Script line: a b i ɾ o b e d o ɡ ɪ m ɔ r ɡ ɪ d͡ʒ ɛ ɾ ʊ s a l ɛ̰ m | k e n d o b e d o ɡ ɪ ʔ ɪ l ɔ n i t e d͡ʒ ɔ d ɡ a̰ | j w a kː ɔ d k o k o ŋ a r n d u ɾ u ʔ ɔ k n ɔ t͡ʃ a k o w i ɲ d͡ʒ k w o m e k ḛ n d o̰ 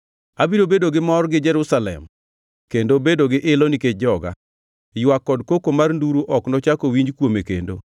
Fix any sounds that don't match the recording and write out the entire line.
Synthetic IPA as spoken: a b i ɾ o b e d o ɡ ɪ m ɔ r ɡ ɪ d͡ʒ ɛ ɾ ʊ s a l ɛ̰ m | k e n d o b e d o ɡ ɪ ʔ ɪ l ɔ n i k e d͡ʒ ɔ ɡ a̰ | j w a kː ɔ d k o k o m a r n d u ɾ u ʔ ɔ k n ɔ t͡ʃ a k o w i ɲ d͡ʒ k w o m e k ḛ n d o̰